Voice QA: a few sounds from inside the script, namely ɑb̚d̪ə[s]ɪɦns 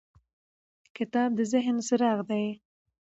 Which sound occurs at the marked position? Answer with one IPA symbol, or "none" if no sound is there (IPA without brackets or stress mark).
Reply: z